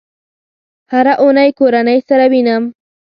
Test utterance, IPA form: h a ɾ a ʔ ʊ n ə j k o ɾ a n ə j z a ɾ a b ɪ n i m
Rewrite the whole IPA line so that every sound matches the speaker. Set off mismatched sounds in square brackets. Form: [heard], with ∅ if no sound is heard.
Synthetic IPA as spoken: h a ɾ a ʔ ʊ n [a] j k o ɾ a n [a] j [s] a ɾ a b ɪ n [a] m